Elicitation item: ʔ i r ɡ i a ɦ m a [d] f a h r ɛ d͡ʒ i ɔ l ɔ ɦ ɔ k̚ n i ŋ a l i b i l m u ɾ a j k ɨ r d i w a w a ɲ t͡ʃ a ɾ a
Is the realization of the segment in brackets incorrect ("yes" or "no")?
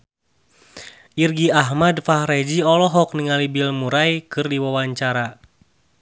no